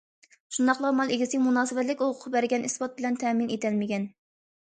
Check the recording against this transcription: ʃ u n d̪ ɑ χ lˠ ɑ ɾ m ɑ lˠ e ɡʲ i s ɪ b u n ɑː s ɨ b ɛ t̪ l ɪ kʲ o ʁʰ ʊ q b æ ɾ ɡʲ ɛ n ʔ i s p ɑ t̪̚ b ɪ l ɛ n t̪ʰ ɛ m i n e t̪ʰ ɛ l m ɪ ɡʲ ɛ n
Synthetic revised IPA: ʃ u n d̪ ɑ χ lˠ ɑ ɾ m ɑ lˠ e ɡʲ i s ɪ m u n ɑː s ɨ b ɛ t̪ l ɪ kʲ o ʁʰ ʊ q b æ ɾ ɡʲ ɛ n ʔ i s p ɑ t̪̚ b ɪ l ɛ n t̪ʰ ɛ m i n e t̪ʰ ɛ l m ɪ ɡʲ ɛ n